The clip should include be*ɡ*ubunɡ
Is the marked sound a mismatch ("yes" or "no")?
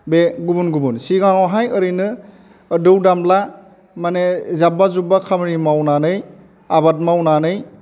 no